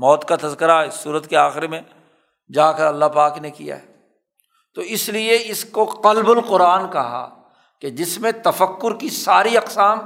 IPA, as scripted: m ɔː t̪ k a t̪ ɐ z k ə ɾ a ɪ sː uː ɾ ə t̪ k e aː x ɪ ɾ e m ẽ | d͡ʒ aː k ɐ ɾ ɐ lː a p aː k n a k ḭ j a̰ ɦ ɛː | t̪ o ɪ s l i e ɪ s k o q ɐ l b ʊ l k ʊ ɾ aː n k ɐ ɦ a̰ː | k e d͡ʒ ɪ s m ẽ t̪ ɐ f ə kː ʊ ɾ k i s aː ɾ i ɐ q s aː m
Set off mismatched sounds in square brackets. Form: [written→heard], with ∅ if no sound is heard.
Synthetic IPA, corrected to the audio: m ɔː t̪ k a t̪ ɐ z k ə ɾ a ɪ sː uː ɾ ə t̪ k e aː x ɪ ɾ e m ẽ | d͡ʒ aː k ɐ ɾ ɐ lː a p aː k n [a→e] k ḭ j a̰ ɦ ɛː | t̪ o ɪ s l i e ɪ s k o q ɐ l b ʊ l [k→q] ʊ ɾ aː n k ɐ ɦ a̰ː | k e d͡ʒ ɪ s m ẽ t̪ ɐ f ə kː ʊ ɾ k i s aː ɾ i ɐ q s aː m